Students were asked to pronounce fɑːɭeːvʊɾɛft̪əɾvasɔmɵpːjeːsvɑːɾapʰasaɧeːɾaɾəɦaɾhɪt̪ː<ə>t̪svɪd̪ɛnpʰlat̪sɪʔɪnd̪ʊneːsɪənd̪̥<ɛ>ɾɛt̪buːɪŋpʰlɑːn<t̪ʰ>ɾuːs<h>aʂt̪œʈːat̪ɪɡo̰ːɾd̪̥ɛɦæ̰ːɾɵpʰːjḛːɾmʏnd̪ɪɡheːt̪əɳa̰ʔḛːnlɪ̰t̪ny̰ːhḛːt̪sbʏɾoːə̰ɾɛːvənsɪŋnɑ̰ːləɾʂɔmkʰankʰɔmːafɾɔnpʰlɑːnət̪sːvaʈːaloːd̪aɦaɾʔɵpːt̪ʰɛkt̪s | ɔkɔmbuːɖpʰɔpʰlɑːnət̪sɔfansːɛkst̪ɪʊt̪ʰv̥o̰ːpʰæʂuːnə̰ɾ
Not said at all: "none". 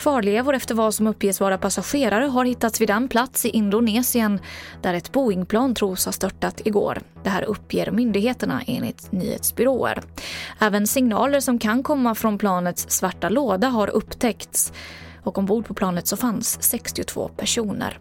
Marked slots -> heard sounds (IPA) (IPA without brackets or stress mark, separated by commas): a, æ, t̪ʰ, h